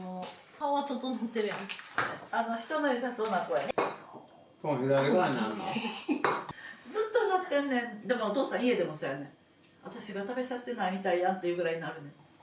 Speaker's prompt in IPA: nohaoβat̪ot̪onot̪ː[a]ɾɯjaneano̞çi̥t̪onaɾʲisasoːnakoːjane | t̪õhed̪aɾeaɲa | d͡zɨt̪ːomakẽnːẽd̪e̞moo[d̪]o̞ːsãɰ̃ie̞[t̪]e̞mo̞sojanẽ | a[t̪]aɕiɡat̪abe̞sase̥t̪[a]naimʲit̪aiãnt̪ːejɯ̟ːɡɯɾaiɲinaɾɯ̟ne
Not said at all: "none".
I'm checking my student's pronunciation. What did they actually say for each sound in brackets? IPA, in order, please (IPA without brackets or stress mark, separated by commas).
e, t̪, d̪, t̪, e